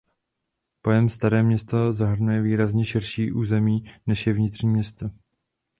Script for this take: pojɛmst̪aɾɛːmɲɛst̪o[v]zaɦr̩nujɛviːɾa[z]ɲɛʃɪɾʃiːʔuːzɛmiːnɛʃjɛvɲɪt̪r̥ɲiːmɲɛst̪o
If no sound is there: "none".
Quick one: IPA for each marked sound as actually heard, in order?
none, z

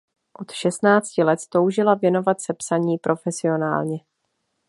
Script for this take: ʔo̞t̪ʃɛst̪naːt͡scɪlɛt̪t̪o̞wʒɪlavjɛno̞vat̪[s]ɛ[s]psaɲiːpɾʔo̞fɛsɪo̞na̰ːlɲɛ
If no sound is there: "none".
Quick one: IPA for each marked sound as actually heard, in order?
s, none

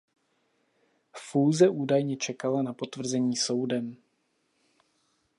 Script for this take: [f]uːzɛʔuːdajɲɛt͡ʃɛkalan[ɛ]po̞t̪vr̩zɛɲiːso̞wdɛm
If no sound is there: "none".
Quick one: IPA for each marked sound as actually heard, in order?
f, a

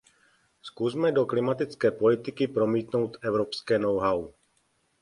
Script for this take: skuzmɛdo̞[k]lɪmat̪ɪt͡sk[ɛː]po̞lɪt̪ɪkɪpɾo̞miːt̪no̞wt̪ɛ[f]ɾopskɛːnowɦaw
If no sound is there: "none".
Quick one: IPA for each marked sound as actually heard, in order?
k, ɛː, v

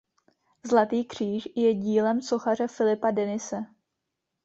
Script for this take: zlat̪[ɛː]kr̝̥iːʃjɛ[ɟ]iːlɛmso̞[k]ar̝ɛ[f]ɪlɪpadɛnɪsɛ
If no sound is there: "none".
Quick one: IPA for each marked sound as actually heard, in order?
iː, ɟ, x, f

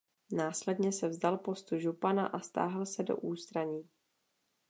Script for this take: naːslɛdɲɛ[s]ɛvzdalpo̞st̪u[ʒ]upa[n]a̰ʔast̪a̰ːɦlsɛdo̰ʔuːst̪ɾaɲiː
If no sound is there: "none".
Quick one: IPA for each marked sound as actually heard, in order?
s, ʒ, n

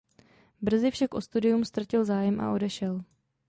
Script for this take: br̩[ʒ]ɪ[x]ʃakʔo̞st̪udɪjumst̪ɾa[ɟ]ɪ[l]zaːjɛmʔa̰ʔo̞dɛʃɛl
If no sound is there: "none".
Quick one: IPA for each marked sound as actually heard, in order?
z, f, c, l

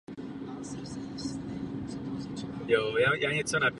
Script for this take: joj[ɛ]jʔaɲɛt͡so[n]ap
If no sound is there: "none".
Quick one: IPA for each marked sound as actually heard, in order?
a, n

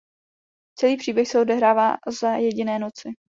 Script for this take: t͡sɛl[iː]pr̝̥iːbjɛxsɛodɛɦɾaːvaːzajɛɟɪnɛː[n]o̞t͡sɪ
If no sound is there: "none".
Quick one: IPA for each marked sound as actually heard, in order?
iː, n

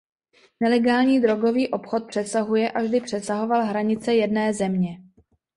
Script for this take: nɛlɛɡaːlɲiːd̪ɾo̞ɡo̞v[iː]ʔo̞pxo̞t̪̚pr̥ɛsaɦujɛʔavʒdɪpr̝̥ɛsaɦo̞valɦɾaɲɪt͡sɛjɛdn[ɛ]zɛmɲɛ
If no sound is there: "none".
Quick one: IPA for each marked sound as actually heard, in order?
iː, ɛː

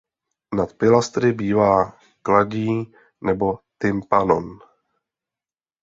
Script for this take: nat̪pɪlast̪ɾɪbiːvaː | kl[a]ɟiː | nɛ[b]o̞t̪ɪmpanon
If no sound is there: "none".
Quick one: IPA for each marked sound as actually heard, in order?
a, b

